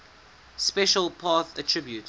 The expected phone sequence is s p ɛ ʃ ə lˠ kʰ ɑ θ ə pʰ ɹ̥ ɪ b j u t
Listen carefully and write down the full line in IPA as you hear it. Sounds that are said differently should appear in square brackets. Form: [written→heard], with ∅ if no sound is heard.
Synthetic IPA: s p ɛ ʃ ə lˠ [kʰ→pʰ] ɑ θ ə [pʰ→tʰ] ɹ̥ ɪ b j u t